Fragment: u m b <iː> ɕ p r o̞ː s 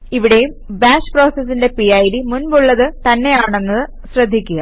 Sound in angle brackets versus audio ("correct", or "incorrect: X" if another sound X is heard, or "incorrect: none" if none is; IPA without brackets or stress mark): incorrect: aː